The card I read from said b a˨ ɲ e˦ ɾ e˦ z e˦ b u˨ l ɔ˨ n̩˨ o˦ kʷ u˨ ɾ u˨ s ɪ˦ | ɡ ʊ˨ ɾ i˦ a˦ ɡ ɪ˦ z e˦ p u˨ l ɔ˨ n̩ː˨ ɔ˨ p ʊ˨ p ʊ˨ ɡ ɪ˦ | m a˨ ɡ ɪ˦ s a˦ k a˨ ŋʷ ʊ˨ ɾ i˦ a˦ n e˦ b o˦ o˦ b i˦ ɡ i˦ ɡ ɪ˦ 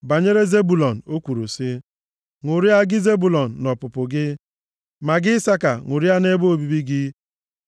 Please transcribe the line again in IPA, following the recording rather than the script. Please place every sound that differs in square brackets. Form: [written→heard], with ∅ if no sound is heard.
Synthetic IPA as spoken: b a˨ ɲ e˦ ɾ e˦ z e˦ b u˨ l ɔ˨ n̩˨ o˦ kʷ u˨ ɾ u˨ s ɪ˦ | [ɡ→ŋ] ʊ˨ ɾ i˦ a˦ ɡ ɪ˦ z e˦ [p→b] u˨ l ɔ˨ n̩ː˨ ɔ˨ p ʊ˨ p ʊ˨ ɡ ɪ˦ | m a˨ ɡ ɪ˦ s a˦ k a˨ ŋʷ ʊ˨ ɾ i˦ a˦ n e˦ b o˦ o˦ b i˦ [ɡ→b] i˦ ɡ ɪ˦